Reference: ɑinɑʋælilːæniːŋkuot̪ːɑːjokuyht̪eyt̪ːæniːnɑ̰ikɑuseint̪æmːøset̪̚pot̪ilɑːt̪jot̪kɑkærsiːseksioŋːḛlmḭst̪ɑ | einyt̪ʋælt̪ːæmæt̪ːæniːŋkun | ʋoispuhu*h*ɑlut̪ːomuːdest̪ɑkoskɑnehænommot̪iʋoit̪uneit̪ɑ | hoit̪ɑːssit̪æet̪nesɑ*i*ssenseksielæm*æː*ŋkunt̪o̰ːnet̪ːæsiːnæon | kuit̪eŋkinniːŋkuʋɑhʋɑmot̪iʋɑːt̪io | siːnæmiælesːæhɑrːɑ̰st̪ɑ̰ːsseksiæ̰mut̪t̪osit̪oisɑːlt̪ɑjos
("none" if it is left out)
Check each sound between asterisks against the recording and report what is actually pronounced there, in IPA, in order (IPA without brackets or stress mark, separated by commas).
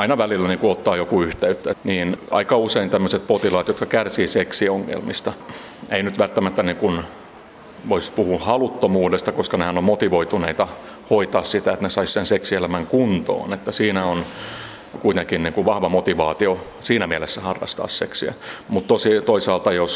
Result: h, i, æ